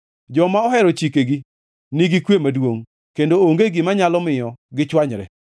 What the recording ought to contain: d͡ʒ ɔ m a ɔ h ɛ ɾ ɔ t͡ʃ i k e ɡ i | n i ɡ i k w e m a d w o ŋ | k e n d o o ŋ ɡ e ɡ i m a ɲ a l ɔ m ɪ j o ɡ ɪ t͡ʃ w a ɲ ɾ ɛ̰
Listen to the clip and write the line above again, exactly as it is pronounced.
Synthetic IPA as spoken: d͡ʒ ɔ m a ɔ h ɛ ɾ ɔ t͡ʃ i k e ɡ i | n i ɡ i k w e m a d w o ŋ | k e n d o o ŋ ɡ e ɡ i m a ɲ a l ɔ m ɪ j ɔ ɡ ɪ t͡ʃ w a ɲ ɾ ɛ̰